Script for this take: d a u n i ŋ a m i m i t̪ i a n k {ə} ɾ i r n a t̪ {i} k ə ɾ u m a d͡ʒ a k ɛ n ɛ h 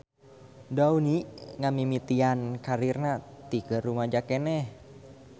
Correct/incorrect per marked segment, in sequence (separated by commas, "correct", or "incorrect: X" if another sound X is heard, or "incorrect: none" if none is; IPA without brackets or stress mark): incorrect: a, correct